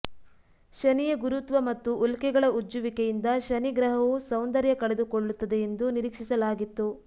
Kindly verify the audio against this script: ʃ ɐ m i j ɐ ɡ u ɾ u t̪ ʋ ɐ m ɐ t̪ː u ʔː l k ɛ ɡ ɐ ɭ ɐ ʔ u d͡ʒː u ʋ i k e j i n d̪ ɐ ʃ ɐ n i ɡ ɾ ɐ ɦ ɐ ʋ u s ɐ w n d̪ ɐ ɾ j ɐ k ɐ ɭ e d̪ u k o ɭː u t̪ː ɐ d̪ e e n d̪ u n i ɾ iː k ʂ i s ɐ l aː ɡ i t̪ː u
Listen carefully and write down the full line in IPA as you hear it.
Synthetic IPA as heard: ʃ ɐ n i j ɐ ɡ u ɾ u t̪ ʋ ɐ m ɐ t̪ː u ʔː l k ɛ ɡ ɐ ɭ ɐ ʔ u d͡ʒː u ʋ i k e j i n d̪ ɐ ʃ ɐ n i ɡ ɾ ɐ ɦ ɐ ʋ u s ɐ w n d̪ ɐ ɾ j ɐ k ɐ ɭ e d̪ u k o ɭː u t̪ː ɐ d̪ e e n d̪ u n i ɾ iː k ʂ i s ɐ l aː ɡ i t̪ː u